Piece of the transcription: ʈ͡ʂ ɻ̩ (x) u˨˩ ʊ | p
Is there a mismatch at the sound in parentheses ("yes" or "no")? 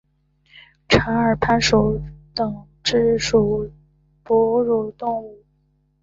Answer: yes